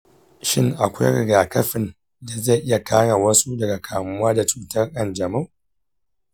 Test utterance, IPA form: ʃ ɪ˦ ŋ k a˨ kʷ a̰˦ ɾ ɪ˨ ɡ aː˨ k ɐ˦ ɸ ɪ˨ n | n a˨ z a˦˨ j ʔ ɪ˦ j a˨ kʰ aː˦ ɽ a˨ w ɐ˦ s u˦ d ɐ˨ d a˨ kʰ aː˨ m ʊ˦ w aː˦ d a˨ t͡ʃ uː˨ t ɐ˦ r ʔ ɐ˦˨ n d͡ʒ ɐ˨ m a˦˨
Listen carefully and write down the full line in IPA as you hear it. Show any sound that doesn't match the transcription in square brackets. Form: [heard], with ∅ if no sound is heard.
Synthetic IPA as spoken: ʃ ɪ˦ ŋ [ʔ] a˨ kʷ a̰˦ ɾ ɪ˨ ɡ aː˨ k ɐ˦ ɸ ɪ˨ n | [d] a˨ z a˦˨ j ʔ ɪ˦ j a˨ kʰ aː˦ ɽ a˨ w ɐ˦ s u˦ d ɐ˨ [ɡ] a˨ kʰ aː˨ m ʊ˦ w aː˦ d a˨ t͡ʃ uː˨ t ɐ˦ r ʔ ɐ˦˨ n d͡ʒ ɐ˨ m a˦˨